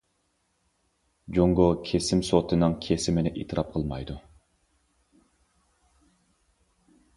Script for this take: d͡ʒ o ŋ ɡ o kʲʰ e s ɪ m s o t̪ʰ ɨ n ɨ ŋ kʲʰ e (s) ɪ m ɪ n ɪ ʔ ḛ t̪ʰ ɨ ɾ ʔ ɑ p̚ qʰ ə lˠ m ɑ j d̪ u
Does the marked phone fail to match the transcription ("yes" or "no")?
no